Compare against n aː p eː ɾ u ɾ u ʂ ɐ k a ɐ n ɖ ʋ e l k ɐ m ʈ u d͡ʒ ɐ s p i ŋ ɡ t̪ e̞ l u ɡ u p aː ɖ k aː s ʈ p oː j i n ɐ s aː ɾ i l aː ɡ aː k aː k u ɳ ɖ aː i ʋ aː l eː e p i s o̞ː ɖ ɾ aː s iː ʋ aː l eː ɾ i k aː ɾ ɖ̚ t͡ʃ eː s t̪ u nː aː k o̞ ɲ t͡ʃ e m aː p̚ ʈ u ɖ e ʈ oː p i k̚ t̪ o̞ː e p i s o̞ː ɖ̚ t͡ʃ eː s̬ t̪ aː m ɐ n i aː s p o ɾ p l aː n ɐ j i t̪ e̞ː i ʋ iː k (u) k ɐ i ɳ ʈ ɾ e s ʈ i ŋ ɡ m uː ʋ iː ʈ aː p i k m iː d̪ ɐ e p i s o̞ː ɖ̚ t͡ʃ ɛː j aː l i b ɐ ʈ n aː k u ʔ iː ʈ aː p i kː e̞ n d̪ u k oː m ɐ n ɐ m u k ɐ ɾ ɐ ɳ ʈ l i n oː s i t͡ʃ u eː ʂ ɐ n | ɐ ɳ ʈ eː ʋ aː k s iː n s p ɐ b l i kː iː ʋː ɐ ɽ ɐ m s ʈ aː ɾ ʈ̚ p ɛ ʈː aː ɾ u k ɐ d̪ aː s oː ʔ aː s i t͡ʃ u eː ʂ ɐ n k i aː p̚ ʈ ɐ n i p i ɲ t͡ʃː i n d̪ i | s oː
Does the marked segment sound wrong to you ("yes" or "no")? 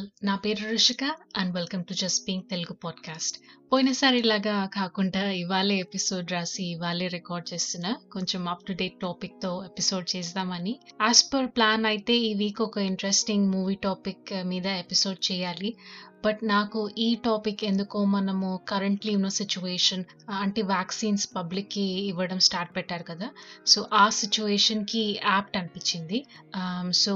yes